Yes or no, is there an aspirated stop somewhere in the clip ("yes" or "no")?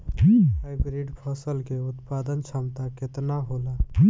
yes